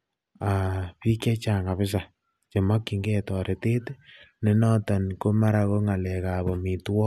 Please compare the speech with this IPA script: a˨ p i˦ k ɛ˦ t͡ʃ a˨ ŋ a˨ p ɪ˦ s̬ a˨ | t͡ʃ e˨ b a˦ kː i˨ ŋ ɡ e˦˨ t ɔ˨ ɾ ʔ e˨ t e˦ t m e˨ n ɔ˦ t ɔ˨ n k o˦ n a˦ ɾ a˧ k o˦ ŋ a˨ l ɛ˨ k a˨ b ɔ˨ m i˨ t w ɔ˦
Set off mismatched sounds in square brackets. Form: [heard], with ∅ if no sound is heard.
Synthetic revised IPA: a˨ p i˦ k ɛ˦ t͡ʃ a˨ ŋ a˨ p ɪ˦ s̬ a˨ | t͡ʃ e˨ [m] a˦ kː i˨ ŋ ɡ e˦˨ t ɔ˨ ɾ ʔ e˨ t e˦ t [n] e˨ n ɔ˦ t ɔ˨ n k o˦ [m] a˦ ɾ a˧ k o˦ ŋ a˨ l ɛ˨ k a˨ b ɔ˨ m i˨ t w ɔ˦